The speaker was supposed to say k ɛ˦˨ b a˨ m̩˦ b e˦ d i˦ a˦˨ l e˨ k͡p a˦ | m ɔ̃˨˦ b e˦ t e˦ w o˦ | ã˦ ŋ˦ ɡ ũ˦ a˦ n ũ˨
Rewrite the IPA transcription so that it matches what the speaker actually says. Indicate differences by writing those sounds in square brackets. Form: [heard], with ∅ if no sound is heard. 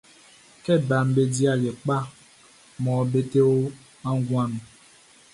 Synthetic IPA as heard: k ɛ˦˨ b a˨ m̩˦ b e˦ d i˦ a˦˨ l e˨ k͡p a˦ | m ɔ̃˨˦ b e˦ t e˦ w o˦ | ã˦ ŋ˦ ɡ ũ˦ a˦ n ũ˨